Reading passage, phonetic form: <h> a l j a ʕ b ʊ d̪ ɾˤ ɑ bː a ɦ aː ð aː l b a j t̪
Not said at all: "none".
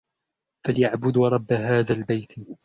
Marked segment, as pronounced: f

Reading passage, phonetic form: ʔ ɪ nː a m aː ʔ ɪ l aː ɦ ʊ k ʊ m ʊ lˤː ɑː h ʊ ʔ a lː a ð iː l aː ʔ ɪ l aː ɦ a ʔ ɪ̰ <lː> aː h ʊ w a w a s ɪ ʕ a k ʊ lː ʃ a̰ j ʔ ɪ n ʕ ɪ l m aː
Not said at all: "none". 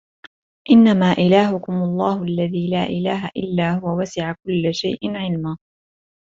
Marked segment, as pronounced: lː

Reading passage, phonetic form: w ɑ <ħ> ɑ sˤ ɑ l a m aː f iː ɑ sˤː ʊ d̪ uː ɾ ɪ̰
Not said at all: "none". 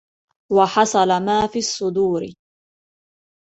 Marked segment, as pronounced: ħ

